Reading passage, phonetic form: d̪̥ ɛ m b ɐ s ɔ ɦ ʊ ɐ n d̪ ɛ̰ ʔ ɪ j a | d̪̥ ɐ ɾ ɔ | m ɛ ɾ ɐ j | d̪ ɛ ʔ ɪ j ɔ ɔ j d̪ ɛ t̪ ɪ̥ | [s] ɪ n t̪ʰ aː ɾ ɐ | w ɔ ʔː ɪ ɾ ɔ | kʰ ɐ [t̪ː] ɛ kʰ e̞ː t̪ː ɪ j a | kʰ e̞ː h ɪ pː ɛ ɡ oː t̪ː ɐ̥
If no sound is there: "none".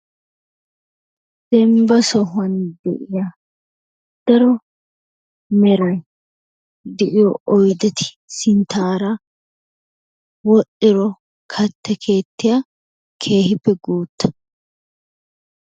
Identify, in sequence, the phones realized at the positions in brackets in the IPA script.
s, t̪ː

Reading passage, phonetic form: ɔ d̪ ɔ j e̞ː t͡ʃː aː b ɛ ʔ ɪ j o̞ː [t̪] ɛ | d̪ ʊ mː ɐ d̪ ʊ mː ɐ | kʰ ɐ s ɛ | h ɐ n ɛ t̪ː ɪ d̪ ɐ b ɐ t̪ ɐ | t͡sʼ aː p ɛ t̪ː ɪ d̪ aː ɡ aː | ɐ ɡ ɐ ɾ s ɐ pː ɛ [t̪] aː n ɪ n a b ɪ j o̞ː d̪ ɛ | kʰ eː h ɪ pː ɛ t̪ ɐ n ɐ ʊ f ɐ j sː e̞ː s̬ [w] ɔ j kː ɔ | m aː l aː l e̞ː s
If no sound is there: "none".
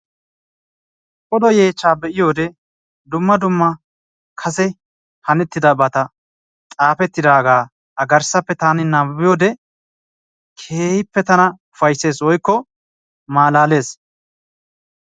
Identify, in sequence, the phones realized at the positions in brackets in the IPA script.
d̪, t̪, w

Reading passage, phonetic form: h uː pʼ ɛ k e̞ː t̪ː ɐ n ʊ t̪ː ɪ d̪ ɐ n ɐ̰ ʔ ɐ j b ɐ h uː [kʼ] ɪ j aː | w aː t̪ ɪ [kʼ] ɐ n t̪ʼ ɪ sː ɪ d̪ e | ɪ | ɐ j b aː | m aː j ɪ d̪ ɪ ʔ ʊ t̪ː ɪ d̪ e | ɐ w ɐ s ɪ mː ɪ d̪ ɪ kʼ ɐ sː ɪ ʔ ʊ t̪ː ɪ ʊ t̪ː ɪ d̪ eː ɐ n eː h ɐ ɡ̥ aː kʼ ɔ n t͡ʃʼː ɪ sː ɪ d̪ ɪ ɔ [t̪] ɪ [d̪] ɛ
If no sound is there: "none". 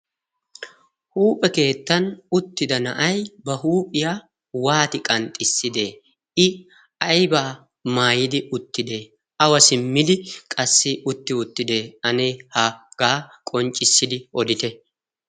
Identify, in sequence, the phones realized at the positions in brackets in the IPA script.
pʼ, kʼ, d̪, t̪

